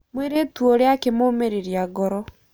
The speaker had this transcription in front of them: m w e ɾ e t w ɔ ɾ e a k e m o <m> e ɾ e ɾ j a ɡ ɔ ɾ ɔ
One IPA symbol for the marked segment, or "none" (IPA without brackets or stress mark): m